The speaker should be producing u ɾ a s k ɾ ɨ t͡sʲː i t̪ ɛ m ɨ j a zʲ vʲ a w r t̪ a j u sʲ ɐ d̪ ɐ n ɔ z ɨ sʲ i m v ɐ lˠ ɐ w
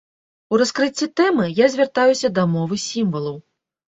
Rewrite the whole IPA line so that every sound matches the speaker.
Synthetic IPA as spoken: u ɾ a s k ɾ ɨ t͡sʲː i t̪ ɛ m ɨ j a zʲ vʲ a r t̪ a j u sʲ ɐ d̪ ɐ m ɔ v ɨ sʲ i m v ɐ lˠ ɐ w